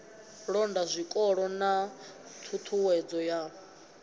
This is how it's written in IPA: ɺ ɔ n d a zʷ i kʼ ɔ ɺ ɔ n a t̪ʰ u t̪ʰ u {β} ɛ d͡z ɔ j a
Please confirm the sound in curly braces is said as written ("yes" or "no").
no